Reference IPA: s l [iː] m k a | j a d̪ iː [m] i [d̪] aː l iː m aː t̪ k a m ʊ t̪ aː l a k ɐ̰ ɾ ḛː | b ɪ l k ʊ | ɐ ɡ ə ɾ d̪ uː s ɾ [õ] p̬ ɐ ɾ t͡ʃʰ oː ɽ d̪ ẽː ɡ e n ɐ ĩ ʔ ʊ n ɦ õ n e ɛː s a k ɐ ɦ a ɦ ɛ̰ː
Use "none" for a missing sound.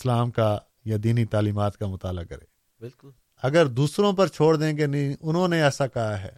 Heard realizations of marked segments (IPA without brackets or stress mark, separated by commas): aː, n, t̪, õ